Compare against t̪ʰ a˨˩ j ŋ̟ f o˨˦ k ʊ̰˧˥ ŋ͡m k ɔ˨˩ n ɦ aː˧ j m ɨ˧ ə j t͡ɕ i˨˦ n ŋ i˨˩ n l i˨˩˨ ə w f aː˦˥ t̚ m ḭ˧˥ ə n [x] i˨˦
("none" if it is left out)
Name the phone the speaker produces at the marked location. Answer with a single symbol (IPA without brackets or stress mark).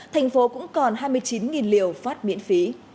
f